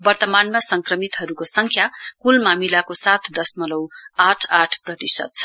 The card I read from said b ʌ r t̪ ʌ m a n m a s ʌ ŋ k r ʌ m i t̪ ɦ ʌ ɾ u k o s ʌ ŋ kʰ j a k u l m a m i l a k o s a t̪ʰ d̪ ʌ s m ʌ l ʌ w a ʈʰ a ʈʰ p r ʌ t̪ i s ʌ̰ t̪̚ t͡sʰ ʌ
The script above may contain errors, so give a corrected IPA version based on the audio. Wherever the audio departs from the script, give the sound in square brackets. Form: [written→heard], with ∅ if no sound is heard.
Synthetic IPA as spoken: b ʌ r t̪ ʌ m a n m a s ʌ ŋ k r ʌ m i t̪ ɦ ʌ ɾ u k o s ʌ ŋ kʰ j a k u l m a m i l a k o s a t̪ʰ d̪ ʌ s m ʌ l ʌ w a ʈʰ a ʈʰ p r ʌ t̪ i s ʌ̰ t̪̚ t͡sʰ ʌ